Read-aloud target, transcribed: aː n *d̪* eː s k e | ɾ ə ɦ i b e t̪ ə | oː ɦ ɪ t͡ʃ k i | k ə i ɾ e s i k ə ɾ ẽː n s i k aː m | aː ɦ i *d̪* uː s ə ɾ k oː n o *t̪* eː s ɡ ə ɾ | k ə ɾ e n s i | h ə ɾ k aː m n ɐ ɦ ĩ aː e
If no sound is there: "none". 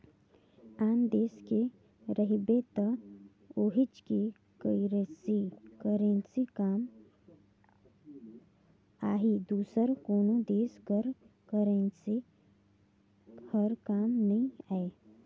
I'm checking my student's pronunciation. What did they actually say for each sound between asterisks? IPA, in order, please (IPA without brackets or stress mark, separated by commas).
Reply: d̪, d̪, d̪